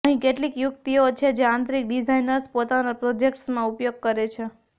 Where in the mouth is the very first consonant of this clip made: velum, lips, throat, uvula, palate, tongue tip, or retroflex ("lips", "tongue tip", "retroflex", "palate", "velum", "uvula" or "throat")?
throat